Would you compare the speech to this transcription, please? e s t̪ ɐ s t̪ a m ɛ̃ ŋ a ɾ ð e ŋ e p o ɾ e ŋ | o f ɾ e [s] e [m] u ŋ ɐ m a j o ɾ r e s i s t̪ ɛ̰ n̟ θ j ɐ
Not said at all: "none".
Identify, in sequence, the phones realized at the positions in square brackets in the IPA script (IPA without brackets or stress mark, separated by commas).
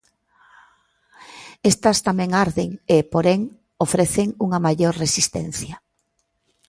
θ, ŋ